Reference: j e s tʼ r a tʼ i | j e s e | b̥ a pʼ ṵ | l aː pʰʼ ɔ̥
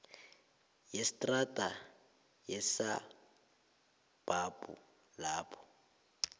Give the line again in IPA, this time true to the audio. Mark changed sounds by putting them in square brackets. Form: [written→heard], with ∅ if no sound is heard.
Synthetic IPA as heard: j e s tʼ r a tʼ [i→a] | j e s [e→a] | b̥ a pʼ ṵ | l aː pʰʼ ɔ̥